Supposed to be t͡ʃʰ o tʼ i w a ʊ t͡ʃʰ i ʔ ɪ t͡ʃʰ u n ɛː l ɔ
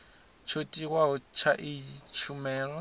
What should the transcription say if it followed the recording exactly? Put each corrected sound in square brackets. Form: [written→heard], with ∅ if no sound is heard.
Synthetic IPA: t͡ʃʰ o tʼ i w a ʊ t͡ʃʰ [i→a] ʔ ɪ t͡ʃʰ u [n→m] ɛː l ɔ